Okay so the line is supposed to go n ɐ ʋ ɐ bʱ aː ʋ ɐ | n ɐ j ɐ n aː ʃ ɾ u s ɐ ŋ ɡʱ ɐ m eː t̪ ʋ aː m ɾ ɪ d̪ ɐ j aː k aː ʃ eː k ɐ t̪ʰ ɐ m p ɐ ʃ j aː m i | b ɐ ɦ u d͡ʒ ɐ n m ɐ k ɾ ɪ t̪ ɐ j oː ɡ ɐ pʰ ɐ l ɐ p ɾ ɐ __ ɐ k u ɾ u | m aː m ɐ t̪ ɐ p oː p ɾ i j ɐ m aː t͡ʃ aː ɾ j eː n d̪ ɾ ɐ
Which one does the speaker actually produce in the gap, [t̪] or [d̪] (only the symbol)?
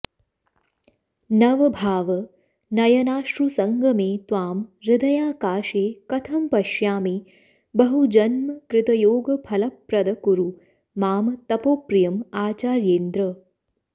d̪